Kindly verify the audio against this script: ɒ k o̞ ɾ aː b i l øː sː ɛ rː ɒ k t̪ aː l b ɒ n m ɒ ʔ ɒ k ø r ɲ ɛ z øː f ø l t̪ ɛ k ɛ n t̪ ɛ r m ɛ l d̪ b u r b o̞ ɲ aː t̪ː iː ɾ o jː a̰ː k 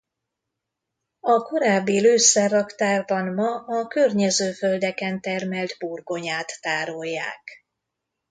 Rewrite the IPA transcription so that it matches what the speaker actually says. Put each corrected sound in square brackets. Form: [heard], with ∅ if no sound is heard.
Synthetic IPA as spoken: ɒ k o̞ ɾ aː [bː] i l øː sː ɛ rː ɒ k t̪ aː [r] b ɒ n m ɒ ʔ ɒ k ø r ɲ ɛ z øː f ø l [d̪] ɛ k ɛ n t̪ ɛ r m ɛ l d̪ b u r [ɡ] o̞ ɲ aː t̪ː [aː] ɾ o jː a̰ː k